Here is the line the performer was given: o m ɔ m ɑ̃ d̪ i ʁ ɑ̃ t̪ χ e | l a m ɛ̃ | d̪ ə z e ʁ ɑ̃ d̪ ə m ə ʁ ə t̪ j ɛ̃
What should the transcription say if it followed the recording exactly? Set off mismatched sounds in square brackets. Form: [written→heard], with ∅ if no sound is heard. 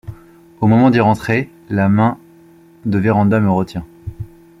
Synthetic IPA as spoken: o m ɔ m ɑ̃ d̪ i ʁ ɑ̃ t̪ χ e | l a m ɛ̃ | d̪ ə [z→v] e ʁ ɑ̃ d̪ [ə→a] m ə ʁ ə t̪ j ɛ̃